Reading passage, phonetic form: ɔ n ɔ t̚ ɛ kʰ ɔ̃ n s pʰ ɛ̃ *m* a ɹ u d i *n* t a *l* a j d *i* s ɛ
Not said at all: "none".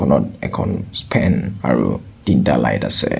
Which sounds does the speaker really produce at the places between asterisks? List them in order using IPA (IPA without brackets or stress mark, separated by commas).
n, n, l, a